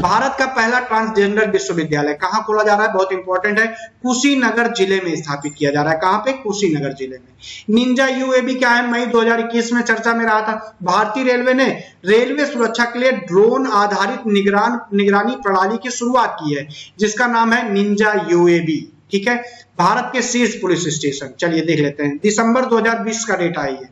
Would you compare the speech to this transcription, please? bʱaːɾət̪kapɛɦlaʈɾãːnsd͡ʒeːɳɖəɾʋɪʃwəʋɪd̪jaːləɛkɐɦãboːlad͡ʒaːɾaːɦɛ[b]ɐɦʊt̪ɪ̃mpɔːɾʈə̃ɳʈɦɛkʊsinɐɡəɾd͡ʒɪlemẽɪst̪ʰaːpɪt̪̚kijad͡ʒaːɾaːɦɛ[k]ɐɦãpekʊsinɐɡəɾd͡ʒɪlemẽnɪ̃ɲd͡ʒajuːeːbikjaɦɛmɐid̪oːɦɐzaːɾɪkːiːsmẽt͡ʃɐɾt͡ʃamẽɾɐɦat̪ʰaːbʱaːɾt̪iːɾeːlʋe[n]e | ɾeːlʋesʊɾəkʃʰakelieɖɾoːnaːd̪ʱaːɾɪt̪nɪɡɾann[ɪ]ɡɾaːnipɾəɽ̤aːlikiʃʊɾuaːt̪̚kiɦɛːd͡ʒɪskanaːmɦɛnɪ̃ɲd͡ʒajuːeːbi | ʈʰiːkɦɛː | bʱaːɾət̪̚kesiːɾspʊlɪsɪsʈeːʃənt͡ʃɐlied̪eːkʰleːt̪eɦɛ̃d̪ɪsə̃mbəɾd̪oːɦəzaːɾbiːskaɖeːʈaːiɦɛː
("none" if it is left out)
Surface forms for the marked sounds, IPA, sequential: b, k, n, ɪ

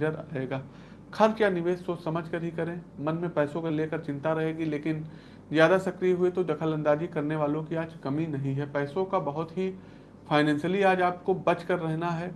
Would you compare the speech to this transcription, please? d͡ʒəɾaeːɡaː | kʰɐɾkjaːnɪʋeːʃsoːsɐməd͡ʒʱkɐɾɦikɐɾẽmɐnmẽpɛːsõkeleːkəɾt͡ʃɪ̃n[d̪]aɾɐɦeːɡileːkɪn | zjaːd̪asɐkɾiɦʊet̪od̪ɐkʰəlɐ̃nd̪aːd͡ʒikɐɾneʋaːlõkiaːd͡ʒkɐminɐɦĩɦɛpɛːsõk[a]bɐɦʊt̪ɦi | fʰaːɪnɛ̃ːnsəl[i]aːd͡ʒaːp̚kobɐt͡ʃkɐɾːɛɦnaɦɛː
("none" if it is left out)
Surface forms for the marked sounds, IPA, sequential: t̪, a, i

